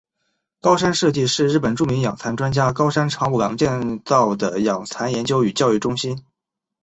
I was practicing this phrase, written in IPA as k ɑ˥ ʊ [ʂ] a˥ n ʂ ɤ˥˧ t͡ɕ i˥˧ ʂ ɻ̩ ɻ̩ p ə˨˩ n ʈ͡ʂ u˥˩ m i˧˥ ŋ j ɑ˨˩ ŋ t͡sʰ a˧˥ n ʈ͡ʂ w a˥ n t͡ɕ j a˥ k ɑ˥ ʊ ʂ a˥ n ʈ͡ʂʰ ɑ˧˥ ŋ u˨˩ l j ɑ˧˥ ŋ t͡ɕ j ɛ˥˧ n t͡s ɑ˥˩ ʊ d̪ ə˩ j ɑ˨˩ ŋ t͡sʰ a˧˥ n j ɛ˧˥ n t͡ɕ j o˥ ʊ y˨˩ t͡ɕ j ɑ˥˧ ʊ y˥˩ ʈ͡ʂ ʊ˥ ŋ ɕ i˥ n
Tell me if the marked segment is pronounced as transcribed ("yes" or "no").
yes